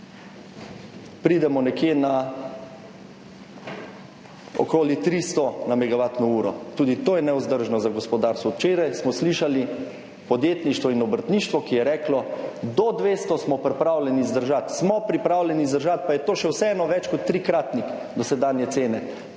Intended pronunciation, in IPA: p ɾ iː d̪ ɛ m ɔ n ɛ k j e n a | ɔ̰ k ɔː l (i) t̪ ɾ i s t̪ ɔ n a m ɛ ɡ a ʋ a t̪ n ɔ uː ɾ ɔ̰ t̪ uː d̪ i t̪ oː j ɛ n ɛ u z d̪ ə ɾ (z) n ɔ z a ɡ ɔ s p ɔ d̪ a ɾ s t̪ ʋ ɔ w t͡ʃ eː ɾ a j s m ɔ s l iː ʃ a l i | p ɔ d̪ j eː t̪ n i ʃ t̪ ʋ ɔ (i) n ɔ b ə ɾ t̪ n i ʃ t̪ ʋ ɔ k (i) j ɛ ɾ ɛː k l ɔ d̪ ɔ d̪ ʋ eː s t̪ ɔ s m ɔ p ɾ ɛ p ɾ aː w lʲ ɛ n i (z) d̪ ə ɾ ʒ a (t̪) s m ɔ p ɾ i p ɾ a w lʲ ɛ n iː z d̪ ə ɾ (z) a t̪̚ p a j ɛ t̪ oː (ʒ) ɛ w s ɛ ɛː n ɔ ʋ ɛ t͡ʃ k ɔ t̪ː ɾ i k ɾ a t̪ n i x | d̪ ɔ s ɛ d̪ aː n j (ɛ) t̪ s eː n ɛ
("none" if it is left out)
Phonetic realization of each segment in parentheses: i, ʒ, i, i, z, t̪, ʒ, ʃ, ɛ

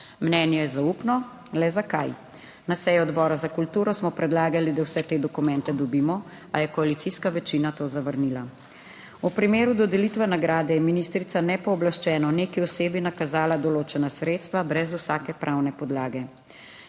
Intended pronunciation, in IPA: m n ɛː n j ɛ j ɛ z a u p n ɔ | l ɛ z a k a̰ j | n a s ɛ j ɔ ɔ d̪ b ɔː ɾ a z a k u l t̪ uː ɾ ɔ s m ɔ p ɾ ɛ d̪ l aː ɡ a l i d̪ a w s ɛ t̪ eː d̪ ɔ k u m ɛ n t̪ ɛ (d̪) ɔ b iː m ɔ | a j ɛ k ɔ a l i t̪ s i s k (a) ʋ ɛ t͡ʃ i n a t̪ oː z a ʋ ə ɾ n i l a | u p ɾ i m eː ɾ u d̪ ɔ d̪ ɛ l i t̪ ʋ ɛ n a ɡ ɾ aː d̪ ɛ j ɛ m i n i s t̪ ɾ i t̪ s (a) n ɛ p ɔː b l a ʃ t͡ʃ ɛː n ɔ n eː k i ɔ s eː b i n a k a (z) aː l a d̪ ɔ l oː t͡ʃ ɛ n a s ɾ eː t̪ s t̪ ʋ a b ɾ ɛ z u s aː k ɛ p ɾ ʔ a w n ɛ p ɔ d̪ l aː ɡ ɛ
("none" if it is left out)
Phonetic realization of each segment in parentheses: d̪, a, a, z

